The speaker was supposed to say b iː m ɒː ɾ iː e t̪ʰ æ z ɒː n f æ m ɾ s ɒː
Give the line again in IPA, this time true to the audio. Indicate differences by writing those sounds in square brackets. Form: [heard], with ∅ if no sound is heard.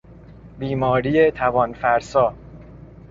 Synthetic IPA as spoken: b iː m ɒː ɾ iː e t̪ʰ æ [v] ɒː n f æ [∅] ɾ s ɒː